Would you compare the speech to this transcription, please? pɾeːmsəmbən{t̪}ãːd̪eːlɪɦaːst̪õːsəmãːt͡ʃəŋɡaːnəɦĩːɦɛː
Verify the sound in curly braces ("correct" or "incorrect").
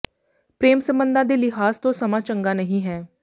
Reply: incorrect